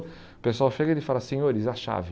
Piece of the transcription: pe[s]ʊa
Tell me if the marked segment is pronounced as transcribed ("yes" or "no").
yes